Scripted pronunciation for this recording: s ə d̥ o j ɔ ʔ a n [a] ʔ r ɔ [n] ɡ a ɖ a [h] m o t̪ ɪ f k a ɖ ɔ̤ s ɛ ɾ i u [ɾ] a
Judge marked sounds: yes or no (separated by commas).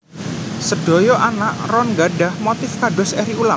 yes, yes, yes, no